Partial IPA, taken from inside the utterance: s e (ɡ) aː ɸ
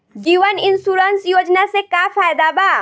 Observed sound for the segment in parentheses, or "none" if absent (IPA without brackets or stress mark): k